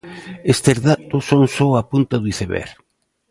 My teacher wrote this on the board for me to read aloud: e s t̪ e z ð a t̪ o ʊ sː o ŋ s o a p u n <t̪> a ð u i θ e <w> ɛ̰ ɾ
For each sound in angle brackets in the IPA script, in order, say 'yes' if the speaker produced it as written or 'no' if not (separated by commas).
yes, no